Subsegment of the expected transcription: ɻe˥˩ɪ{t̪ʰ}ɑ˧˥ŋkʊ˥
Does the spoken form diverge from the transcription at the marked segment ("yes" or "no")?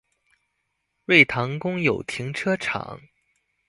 no